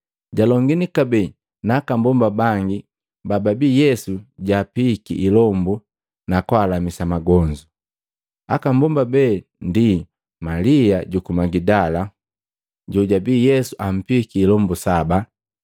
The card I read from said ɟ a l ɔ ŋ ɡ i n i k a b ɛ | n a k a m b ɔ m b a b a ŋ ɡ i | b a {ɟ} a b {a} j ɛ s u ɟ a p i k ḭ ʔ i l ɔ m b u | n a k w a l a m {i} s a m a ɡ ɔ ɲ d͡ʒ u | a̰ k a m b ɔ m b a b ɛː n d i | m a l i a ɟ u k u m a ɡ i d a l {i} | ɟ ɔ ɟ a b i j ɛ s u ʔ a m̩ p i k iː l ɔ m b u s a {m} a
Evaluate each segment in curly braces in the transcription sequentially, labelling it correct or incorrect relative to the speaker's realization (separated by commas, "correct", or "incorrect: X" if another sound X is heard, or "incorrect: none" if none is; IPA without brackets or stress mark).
incorrect: b, incorrect: i, correct, incorrect: a, incorrect: b